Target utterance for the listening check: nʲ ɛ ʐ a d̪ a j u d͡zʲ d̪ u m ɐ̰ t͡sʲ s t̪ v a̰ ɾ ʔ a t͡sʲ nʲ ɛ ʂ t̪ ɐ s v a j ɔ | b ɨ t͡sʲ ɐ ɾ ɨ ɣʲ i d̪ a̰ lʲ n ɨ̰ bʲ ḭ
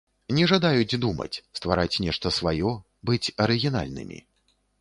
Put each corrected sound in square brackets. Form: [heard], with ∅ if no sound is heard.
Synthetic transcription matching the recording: nʲ ɛ ʐ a d̪ a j u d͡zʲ d̪ u m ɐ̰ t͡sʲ s t̪ v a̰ ɾ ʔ a t͡sʲ nʲ ɛ ʂ t̪ ɐ s v a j ɔ | b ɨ t͡sʲ ɐ ɾ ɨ ɣʲ i [n̪] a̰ lʲ n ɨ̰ [mʲ] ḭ

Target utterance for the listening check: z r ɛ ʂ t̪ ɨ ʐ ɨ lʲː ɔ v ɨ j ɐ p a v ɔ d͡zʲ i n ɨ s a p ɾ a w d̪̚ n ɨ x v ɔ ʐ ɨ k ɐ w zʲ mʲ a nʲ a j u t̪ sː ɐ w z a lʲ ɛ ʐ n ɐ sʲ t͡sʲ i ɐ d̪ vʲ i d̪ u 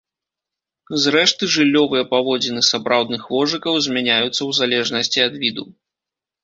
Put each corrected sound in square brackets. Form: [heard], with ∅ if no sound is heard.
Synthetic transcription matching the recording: z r ɛ ʂ t̪ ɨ ʐ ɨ lʲː ɔ v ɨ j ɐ p a v ɔ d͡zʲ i n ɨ s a p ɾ a w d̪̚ n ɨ x v ɔ ʐ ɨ k ɐ w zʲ mʲ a nʲ a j u t̪ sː ɐ w z a lʲ ɛ ʐ n ɐ sʲ t͡sʲ i ɐ d̪ vʲ i d̪ u

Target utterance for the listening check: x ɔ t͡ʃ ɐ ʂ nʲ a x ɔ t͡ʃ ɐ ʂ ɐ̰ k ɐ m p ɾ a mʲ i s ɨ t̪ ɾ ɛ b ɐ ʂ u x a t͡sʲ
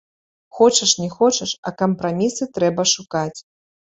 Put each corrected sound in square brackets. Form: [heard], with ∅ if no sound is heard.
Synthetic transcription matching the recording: x ɔ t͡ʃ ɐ ʂ nʲ [ɛ] x ɔ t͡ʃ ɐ ʂ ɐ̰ k ɐ m p ɾ a mʲ i s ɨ t̪ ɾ ɛ b ɐ ʂ u [k] a t͡sʲ

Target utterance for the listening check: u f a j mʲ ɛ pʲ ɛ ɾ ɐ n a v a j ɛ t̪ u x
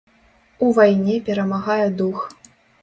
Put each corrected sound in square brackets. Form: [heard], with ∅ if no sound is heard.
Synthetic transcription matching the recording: u [v] a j [nʲ] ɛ pʲ ɛ ɾ ɐ [m] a [ɣ] a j ɛ [d̪] u x

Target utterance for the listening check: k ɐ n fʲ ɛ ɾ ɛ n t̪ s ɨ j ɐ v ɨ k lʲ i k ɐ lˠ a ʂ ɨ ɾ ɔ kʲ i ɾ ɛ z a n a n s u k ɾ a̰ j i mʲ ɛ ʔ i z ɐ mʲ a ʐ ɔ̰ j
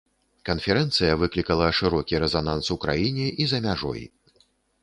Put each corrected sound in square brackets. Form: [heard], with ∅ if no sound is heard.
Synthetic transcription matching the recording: k ɐ n fʲ ɛ ɾ ɛ n t̪ s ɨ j ɐ v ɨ k lʲ i k ɐ lˠ [ɐ] ʂ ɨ ɾ ɔ kʲ i ɾ ɛ z a n a n s u k ɾ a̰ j i [nʲ] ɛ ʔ i z ɐ mʲ a ʐ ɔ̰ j

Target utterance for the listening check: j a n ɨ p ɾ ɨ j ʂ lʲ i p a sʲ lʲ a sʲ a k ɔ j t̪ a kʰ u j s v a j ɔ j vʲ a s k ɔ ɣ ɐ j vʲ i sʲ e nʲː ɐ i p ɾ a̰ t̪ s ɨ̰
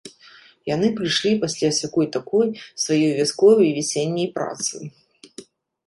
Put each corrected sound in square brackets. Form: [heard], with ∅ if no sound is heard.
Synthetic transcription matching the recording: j a n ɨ p ɾ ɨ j ʂ lʲ i p a sʲ lʲ a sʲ a k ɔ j t̪ a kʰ [ɔ] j s v a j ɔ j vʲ a s k ɔ [v] ɐ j vʲ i sʲ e nʲː ɐ [j] p ɾ a̰ t̪ s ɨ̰

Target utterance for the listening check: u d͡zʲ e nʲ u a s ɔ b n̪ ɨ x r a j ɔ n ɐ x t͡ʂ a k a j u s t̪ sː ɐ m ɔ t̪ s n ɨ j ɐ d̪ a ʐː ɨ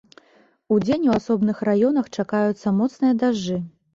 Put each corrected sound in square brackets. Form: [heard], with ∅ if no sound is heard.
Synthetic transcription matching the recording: u d͡zʲ e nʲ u a s ɔ b n̪ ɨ x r a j ɔ n ɐ x t͡ʂ a k a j u [∅] t̪ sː ɐ m ɔ t̪ s n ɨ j ɐ d̪ a ʐː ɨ

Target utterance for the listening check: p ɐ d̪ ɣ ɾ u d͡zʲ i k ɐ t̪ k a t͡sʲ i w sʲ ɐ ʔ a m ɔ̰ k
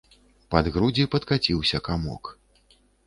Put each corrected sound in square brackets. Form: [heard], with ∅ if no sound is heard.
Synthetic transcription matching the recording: p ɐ d̪ ɣ ɾ u d͡zʲ i [p] ɐ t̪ k a t͡sʲ i w sʲ ɐ [k] a m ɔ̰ k

